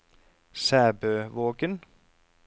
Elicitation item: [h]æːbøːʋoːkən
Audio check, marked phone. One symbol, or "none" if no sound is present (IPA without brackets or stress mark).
s